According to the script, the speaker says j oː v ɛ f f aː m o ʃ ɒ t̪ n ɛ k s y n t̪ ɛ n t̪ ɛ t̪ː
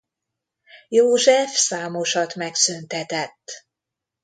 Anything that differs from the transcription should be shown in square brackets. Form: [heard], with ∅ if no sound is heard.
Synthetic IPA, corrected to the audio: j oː [ʒ] ɛ f [s] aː m o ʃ ɒ t̪ [m] ɛ k s y n t̪ ɛ [∅] t̪ ɛ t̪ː